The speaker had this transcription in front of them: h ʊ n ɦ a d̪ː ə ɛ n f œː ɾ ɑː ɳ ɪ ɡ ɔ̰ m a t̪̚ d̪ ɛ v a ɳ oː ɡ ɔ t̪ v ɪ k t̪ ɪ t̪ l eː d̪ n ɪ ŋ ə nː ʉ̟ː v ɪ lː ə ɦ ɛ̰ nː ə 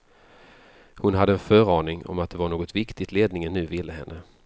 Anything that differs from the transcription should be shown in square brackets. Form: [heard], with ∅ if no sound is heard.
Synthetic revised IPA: h ʊ n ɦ a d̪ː ə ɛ n f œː ɾ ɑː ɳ ɪ [ŋ] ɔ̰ m a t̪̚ d̪ ɛ v a ɳ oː ɡ ɔ t̪ v ɪ k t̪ ɪ t̪ l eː d̪ n ɪ ŋ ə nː ʉ̟ː v ɪ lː ə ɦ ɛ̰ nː ə